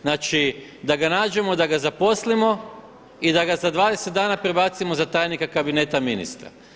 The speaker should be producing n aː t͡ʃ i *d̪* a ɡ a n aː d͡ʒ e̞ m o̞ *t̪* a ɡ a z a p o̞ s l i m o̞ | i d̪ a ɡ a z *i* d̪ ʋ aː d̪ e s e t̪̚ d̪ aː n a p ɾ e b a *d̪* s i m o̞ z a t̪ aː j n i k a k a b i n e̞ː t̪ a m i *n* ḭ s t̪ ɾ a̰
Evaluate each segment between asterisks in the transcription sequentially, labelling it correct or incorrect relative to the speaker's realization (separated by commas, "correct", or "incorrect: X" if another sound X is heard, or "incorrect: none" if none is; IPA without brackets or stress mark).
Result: correct, incorrect: d̪, incorrect: a, incorrect: t̪, correct